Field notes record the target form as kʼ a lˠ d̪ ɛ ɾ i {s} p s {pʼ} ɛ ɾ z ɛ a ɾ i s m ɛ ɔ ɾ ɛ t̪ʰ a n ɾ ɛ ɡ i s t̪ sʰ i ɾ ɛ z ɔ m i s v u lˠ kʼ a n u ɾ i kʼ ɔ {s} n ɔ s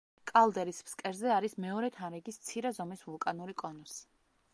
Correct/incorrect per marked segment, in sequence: correct, incorrect: kʼ, incorrect: none

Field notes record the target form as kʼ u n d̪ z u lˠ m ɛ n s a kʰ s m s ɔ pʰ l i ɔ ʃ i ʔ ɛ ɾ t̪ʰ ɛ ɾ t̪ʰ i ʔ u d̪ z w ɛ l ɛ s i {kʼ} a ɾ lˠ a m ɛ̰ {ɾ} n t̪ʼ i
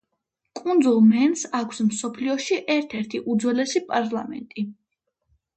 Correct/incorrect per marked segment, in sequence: incorrect: pʼ, incorrect: none

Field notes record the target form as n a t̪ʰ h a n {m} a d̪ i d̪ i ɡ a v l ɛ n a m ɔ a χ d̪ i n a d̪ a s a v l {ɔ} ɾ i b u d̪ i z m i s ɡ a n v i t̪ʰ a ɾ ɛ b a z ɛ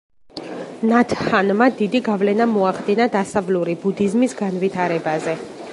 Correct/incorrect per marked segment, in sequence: correct, incorrect: u

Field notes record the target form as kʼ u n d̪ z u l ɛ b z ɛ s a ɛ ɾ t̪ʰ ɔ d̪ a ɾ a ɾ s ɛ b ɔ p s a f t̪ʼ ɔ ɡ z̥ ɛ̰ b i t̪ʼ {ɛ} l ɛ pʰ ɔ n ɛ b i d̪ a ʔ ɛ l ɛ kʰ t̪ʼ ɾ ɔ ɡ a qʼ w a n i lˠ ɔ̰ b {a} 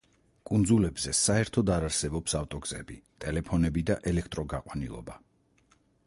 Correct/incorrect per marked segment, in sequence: correct, correct

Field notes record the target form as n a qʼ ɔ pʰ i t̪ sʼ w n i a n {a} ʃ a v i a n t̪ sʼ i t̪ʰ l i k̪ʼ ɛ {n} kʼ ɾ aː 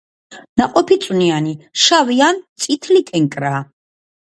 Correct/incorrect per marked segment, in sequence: incorrect: i, incorrect: ŋ

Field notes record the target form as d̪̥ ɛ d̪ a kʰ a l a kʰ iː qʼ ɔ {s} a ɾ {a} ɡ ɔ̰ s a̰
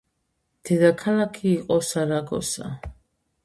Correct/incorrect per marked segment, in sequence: correct, correct

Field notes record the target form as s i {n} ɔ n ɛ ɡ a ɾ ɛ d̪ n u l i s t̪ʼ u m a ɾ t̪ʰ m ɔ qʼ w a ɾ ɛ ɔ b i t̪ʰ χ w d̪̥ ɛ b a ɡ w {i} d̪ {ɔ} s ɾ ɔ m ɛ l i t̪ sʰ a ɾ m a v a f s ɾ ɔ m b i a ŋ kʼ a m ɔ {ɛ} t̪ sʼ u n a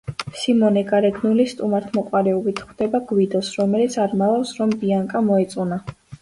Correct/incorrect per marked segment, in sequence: incorrect: m, correct, correct, correct

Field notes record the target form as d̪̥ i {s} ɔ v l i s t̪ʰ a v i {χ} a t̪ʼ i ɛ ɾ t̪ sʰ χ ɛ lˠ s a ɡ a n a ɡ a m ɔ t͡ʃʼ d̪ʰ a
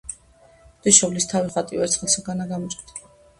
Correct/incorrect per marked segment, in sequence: incorrect: ʃ, correct

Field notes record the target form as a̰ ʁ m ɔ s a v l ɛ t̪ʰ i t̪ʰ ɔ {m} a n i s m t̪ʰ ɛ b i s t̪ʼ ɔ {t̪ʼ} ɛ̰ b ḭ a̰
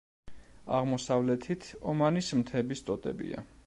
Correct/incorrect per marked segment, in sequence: correct, correct

